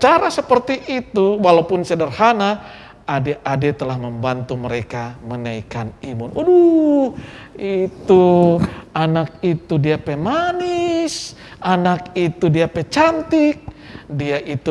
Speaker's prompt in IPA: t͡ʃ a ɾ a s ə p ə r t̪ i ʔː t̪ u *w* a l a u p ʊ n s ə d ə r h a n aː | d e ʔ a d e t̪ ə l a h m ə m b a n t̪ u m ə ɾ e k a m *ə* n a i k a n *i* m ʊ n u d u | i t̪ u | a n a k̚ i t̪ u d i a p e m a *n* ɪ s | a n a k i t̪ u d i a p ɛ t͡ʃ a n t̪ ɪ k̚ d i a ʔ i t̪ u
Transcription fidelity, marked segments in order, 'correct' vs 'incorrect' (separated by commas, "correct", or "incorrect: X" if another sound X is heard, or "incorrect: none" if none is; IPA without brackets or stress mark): correct, correct, correct, correct